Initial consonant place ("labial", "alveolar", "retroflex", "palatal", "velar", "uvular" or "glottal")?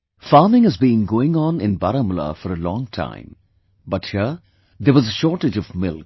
labial